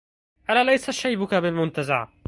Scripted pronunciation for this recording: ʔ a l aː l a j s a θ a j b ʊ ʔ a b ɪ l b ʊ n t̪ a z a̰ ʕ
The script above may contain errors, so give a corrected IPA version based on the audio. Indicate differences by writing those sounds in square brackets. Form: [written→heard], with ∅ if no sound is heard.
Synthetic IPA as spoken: ʔ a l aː l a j s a [θ→ʃ] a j b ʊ [ʔ→k] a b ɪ l [b→m] ʊ n t̪ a z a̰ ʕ